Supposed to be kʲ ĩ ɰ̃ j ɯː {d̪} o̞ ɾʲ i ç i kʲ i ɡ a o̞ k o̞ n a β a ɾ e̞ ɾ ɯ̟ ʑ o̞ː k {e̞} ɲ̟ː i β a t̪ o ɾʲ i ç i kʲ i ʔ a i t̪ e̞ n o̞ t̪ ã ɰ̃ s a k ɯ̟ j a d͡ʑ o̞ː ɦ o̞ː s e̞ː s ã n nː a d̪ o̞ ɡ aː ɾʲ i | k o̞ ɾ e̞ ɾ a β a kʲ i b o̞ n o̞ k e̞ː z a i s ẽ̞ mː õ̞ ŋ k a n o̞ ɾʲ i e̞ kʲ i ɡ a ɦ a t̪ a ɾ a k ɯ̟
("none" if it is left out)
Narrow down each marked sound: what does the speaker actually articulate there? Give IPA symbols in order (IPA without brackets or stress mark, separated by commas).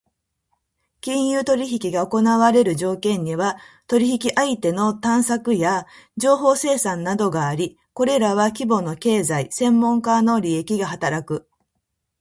t̪, ẽ̞